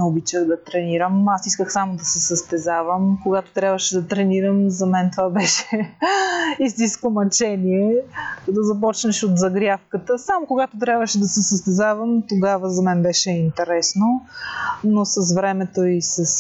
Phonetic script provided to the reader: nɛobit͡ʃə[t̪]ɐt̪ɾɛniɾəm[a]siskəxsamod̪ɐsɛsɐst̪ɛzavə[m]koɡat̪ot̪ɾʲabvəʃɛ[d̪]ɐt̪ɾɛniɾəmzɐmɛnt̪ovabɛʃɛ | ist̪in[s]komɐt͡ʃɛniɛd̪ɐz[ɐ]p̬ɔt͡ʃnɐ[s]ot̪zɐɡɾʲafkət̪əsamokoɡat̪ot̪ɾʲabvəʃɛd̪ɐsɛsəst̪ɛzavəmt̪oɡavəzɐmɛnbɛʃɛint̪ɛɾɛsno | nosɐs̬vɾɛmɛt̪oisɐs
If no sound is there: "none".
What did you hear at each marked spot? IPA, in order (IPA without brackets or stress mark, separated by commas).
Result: d̪, a, m, d̪, s, ɐ, ʃ